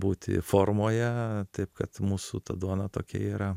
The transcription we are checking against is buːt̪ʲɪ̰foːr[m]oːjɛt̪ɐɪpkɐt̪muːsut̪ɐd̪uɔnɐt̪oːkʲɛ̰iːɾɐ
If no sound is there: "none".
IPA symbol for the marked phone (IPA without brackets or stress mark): m